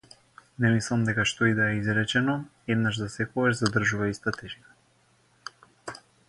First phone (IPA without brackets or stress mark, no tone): n